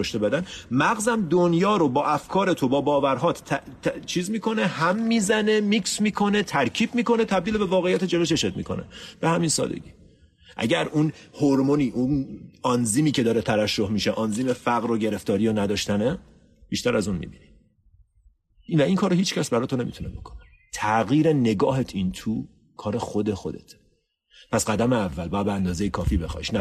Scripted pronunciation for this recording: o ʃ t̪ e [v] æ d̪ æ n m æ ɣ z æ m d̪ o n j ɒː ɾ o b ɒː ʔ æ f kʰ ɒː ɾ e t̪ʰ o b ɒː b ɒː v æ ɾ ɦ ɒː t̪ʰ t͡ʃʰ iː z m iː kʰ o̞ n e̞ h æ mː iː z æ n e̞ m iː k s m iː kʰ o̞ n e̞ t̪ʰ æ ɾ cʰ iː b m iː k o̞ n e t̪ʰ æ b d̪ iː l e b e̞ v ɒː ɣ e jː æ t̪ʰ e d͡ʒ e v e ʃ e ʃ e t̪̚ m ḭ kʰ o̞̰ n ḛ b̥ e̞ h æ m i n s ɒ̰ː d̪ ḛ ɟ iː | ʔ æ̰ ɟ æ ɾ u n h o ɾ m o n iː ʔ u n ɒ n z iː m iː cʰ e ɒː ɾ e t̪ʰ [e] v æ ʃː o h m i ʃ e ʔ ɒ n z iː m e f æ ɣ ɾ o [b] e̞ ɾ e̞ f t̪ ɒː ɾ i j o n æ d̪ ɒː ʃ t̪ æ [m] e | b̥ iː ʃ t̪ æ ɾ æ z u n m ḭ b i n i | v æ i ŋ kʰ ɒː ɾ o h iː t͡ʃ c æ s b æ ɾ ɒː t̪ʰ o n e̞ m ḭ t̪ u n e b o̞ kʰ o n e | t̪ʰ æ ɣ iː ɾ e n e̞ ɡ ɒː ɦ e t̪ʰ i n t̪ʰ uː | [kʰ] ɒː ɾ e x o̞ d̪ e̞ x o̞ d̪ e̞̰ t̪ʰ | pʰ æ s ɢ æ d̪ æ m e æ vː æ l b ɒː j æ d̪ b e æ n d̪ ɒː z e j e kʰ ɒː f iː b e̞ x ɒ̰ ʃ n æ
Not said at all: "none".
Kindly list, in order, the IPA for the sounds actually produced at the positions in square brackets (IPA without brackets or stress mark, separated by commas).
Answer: b, æ, ɟ, n, kʰ